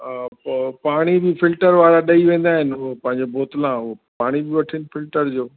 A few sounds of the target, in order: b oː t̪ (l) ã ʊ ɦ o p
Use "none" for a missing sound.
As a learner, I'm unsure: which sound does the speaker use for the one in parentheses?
l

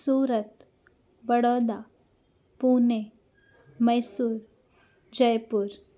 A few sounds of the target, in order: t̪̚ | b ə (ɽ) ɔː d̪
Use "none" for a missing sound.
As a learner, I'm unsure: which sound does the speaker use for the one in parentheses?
ɽ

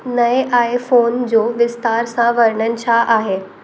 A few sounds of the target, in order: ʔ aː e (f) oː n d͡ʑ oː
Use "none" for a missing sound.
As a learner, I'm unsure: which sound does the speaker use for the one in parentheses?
f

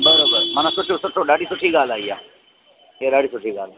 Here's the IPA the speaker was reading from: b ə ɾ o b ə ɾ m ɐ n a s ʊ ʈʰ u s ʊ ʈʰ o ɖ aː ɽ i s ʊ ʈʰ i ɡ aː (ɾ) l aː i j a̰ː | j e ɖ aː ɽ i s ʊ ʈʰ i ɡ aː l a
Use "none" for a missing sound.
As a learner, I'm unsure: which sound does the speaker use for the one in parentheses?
none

